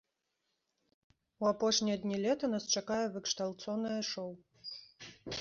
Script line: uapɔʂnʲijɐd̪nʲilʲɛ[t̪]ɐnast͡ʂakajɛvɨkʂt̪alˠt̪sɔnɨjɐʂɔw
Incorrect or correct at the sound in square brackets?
correct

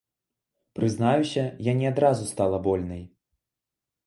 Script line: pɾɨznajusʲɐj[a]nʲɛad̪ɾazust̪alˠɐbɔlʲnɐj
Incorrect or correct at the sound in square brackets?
correct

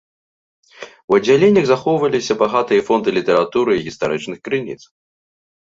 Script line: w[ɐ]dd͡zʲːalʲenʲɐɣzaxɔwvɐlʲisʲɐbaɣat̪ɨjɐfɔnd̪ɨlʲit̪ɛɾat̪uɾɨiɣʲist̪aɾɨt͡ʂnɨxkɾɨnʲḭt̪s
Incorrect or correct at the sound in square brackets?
correct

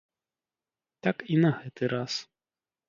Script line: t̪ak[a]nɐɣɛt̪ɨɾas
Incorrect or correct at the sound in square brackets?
incorrect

